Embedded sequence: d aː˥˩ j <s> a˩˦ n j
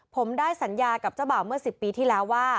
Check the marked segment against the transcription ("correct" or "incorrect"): correct